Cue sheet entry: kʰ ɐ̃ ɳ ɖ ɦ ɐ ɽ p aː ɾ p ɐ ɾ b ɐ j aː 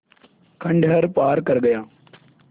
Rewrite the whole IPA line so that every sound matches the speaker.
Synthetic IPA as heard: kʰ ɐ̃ ɳ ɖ ɦ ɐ ɾ p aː ɾ k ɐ ɾ ɡ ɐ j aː